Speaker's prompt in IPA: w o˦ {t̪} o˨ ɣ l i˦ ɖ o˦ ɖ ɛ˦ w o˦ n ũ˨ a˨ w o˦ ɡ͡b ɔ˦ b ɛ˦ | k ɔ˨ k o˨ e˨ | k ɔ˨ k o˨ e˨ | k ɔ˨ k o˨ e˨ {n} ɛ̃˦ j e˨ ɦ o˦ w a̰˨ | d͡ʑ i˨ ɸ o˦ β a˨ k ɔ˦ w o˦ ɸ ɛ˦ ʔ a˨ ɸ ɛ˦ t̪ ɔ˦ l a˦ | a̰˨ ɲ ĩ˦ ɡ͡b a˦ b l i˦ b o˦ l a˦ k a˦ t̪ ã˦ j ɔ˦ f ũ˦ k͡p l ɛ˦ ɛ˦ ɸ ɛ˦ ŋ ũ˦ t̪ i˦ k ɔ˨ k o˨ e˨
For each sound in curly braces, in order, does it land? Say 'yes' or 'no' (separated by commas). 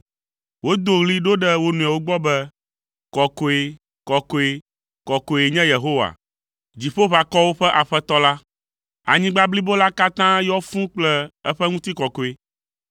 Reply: no, no